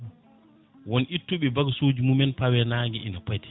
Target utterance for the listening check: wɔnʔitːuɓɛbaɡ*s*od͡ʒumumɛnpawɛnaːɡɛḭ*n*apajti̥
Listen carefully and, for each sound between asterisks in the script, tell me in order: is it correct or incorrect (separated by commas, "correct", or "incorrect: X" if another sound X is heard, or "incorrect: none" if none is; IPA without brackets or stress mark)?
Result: correct, correct